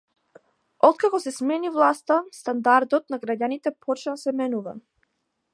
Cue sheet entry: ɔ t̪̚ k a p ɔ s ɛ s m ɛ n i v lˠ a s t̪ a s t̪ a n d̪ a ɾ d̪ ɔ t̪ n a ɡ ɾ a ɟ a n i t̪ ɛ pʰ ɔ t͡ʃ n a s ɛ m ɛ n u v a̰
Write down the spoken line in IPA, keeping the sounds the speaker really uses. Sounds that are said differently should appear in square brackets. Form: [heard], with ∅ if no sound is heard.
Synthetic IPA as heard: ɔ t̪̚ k a [k] ɔ s ɛ s m ɛ n i v lˠ a s t̪ a s t̪ a n d̪ a ɾ d̪ ɔ t̪ n a ɡ ɾ a ɟ a n i t̪ ɛ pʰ ɔ t͡ʃ n a s ɛ m ɛ n u v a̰